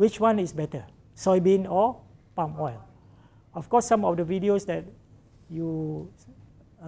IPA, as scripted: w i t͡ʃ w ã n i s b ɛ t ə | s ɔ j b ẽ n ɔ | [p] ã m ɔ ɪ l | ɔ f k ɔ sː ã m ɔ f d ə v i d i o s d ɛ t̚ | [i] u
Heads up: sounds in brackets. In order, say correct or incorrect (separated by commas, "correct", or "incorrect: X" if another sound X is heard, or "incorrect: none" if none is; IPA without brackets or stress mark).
correct, incorrect: j